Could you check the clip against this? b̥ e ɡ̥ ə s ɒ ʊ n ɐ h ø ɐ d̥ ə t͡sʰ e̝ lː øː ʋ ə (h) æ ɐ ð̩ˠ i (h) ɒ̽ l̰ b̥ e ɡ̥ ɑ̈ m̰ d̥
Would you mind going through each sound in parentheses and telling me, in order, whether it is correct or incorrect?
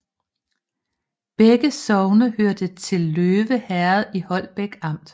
correct, correct

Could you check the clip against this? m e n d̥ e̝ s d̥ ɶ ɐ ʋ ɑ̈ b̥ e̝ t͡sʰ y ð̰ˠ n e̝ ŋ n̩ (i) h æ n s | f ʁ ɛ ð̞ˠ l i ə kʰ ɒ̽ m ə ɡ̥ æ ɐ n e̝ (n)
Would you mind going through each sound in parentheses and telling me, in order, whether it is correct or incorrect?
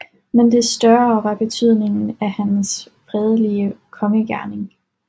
incorrect: æ, incorrect: ŋ

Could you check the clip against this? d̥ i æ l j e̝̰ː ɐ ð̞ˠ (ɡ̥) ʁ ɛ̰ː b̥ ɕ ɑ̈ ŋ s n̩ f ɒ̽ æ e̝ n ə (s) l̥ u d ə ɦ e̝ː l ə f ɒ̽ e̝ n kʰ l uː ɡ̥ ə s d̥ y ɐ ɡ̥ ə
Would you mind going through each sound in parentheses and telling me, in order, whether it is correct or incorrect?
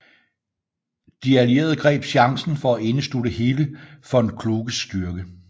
correct, correct

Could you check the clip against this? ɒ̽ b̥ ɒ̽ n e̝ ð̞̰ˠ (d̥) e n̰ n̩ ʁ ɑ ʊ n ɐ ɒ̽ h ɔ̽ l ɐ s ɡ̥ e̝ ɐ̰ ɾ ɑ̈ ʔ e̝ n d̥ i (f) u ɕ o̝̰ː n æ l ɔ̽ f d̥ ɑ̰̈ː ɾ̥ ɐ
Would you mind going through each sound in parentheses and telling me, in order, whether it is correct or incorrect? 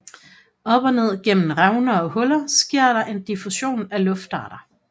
incorrect: ɡ̥, correct

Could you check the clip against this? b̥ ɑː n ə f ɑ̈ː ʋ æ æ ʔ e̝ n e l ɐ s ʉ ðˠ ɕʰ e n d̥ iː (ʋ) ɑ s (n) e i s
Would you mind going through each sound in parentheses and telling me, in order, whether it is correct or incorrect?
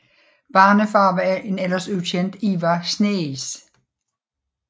correct, correct

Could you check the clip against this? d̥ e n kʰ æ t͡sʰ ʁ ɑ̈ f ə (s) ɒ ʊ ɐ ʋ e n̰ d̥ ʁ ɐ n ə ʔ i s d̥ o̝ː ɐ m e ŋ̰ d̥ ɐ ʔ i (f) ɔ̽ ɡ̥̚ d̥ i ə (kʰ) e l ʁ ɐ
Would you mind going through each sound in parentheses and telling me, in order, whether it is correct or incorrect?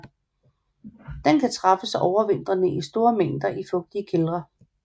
correct, correct, correct

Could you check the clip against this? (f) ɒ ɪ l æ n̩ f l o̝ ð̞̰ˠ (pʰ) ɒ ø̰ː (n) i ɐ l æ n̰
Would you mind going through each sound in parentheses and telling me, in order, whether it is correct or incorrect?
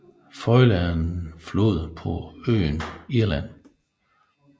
correct, correct, correct

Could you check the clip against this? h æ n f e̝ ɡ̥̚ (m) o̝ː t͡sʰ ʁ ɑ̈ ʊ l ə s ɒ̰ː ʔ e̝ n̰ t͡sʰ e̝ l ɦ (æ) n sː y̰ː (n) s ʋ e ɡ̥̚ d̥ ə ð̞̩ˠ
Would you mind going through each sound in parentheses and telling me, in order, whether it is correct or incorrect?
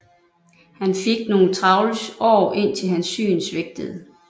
incorrect: n, correct, correct

